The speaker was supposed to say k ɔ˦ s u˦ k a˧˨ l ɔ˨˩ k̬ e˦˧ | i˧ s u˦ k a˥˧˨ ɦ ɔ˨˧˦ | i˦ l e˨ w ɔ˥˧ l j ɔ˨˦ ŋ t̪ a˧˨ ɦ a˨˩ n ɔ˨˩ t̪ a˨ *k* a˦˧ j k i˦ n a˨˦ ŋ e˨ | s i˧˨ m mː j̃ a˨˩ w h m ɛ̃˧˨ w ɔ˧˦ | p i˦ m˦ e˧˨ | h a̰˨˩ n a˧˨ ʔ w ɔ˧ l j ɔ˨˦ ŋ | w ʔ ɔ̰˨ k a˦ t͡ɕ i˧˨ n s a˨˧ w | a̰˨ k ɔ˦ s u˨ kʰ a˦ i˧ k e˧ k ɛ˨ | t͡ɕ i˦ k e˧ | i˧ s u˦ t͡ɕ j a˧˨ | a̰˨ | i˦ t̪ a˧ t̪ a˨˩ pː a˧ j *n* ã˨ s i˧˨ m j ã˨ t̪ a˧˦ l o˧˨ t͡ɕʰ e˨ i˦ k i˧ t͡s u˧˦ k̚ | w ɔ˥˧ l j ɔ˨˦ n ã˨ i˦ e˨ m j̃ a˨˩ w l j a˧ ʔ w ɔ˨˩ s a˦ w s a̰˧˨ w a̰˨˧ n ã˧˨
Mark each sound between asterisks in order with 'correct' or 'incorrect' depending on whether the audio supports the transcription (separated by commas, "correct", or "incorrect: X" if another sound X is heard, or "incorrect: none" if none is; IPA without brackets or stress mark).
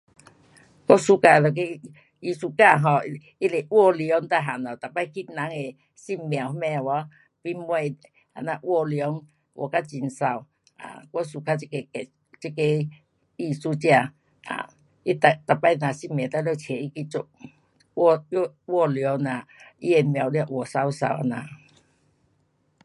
incorrect: p, correct